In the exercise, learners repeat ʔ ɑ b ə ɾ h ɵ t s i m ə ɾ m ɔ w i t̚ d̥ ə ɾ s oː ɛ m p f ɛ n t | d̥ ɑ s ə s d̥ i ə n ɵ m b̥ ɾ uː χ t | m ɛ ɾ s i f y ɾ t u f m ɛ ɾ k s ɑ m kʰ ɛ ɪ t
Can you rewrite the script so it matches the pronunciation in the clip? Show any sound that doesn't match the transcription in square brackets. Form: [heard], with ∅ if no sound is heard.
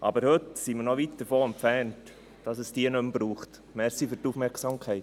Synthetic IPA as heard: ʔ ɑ b ə ɾ h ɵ t s i m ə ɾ [n] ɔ [ʋ] i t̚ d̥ ə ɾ [f] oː ɛ m p f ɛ n t | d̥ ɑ s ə s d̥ i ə n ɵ m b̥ ɾ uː χ t | m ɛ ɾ s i f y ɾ t u f m ɛ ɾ k s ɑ m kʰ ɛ ɪ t